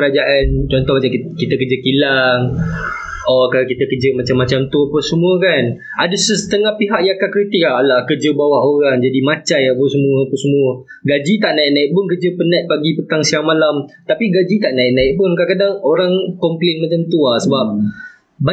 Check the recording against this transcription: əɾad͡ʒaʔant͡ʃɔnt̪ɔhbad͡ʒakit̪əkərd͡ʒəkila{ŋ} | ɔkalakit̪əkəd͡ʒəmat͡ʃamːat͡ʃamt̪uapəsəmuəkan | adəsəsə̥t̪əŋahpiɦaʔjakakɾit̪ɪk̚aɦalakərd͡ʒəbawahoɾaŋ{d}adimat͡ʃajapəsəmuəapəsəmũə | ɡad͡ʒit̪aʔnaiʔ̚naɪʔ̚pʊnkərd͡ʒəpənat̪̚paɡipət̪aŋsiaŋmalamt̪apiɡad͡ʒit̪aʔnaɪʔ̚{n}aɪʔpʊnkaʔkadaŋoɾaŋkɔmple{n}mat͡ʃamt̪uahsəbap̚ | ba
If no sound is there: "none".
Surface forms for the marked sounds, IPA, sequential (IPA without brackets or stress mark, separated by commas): ŋ, d͡ʒ, n, n